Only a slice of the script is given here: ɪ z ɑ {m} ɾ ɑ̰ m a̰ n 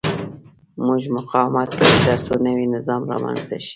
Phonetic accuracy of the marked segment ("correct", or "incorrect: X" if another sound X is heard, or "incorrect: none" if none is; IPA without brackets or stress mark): correct